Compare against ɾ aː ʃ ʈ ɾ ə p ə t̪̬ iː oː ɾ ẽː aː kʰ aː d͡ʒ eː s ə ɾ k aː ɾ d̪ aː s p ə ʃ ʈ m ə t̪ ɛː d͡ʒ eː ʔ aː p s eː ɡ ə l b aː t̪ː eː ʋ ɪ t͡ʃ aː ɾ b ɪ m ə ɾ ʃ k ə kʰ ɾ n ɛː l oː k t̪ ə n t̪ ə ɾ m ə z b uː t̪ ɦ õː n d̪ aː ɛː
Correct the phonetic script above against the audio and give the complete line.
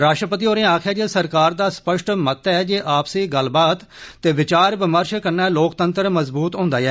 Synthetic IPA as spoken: ɾ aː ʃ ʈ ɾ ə p ə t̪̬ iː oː ɾ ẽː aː kʰ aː d͡ʒ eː s ə ɾ k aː ɾ d̪ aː s p ə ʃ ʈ m ə t̪ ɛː d͡ʒ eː ʔ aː p s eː ɡ ə l b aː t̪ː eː ʋ ɪ t͡ʃ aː ɾ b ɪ m ə ɾ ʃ k ə ɾ n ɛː l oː k t̪ ə n t̪ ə ɾ m ə z b uː t̪ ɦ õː n d̪ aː ɛː